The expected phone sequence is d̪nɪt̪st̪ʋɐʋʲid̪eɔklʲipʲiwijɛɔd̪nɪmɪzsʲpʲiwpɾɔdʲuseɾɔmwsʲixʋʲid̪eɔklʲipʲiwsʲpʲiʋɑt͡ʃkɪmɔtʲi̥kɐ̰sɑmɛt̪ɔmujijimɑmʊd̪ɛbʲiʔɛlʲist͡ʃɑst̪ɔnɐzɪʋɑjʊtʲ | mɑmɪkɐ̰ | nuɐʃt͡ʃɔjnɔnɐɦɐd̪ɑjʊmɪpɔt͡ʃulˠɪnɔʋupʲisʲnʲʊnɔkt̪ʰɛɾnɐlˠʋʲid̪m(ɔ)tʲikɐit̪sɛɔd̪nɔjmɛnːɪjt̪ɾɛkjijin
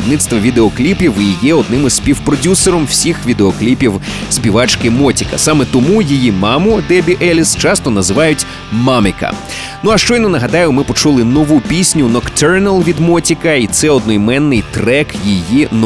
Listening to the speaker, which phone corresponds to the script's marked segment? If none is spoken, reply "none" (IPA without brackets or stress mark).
ɔ